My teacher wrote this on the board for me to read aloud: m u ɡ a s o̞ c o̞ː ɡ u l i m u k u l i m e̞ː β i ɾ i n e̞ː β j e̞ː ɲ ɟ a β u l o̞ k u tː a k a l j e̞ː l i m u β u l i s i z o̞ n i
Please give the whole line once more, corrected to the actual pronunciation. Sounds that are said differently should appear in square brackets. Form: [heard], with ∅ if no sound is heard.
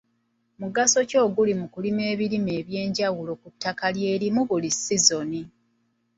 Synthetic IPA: m u ɡ a s o̞ c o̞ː ɡ u l i m u k u l i m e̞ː β i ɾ i [m] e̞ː β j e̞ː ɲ ɟ a [w] u l o̞ k u tː a k a l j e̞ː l i m u β u l i s i z o̞ n i